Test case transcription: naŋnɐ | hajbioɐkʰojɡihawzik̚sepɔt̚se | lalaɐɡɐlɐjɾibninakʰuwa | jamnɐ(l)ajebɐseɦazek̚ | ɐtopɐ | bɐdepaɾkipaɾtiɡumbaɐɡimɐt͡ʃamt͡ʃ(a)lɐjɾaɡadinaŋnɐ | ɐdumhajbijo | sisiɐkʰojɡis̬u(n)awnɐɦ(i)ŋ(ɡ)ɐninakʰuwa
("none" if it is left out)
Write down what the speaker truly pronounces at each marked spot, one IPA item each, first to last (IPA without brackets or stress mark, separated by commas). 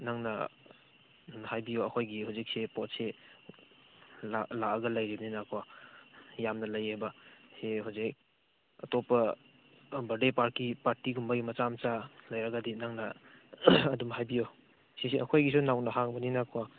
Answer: l, a, n, a, b